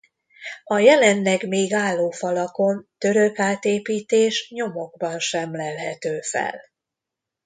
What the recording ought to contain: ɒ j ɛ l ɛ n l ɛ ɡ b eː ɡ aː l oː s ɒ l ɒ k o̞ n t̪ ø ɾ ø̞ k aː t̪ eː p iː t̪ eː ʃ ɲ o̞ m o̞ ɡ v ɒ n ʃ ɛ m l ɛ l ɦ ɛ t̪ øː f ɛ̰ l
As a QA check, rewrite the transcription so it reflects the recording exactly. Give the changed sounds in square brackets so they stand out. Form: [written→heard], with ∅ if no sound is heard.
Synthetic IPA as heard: ɒ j ɛ l ɛ n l ɛ ɡ [b→m] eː ɡ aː [l→lː] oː [s→f] ɒ l ɒ k o̞ n t̪ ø ɾ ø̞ k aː t̪ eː p iː t̪ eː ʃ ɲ o̞ m o̞ ɡ [v→b] ɒ n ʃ ɛ m l ɛ l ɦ ɛ t̪ øː f ɛ̰ l